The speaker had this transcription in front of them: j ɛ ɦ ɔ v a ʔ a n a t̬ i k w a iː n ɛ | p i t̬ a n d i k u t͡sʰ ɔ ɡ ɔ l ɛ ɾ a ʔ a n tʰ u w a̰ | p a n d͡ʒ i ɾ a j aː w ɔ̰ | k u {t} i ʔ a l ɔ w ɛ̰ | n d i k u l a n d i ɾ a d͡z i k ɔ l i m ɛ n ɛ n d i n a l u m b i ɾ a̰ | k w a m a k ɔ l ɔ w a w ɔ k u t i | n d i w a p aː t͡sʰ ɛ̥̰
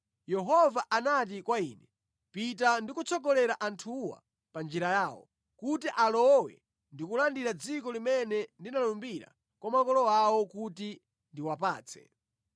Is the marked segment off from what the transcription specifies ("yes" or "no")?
no